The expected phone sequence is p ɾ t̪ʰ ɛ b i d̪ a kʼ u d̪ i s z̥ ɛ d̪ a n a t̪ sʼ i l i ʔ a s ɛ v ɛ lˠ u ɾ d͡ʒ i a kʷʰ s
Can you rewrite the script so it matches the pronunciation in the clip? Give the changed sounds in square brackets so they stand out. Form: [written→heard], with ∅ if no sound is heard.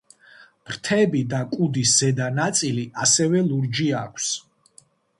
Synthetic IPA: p ɾ t̪ʰ ɛ b i d̪ a kʼ u d̪ i s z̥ ɛ d̪ a n a t̪ sʼ i l i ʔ a s ɛ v ɛ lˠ u ɾ d͡ʒ i a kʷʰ s